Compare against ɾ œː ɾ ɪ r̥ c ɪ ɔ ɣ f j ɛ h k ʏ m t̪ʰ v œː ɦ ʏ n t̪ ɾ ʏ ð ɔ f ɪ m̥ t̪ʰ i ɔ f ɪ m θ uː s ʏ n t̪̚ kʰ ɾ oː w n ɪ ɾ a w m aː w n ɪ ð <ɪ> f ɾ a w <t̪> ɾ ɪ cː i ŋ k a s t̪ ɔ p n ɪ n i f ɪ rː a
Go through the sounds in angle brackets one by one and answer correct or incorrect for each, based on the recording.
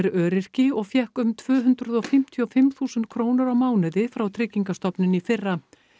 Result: correct, incorrect: t̪ʰ

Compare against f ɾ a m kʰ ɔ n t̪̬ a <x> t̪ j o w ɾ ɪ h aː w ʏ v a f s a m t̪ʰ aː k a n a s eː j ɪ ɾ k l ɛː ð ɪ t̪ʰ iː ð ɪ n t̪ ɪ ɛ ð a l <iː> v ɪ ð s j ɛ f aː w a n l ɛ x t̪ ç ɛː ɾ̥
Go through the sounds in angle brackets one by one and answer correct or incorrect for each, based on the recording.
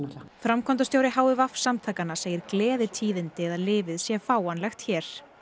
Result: incorrect: s, incorrect: ɪː

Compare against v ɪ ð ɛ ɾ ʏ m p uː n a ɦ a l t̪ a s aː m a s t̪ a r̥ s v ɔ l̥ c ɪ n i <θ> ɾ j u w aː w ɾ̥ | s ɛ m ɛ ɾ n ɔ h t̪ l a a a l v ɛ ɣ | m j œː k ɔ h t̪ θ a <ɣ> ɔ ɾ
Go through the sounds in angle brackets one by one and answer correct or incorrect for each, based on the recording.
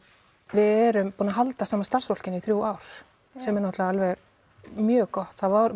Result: correct, incorrect: v

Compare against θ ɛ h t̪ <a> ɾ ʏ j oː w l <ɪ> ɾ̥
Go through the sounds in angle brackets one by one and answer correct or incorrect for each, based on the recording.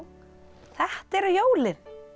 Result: incorrect: ɛ, correct

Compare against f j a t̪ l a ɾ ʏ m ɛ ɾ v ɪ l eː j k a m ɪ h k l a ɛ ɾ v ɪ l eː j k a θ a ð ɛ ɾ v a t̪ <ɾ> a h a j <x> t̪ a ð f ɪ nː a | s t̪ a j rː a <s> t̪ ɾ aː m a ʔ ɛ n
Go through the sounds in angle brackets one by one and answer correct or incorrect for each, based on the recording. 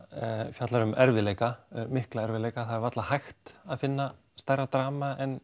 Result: incorrect: l, correct, incorrect: none

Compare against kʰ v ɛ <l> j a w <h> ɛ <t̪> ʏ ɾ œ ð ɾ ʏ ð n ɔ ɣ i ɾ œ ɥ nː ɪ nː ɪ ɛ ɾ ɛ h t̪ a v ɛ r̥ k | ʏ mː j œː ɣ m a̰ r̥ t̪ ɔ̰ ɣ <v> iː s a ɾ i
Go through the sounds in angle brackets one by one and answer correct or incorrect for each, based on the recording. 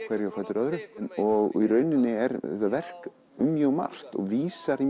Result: incorrect: ɾ, incorrect: f, correct, correct

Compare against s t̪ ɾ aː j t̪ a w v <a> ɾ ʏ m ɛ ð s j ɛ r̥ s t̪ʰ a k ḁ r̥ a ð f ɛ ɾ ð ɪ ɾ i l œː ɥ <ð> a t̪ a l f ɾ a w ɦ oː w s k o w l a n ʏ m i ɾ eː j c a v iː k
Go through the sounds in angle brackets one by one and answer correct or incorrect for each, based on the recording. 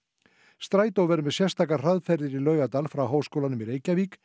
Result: incorrect: ɛ, incorrect: ɣ

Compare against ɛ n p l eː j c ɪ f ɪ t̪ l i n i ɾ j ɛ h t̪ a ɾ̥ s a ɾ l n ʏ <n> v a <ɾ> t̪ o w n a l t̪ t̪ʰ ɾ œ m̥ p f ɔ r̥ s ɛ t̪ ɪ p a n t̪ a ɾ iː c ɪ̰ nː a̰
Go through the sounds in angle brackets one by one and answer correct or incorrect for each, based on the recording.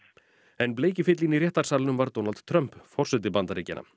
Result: incorrect: m, correct

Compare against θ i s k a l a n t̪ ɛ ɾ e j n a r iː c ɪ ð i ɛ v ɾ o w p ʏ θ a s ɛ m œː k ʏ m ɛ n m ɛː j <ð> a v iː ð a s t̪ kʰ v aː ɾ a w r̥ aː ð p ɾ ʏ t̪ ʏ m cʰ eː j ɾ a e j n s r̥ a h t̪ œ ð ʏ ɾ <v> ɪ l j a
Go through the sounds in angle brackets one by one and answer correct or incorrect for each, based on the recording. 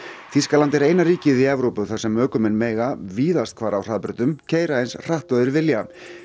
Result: incorrect: ɣ, correct

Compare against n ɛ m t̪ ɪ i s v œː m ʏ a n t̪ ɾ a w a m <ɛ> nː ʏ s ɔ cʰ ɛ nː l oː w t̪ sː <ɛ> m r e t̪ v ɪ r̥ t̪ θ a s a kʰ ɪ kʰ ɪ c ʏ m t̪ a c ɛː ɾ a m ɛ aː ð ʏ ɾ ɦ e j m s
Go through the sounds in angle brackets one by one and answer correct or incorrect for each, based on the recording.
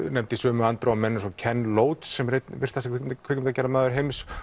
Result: correct, correct

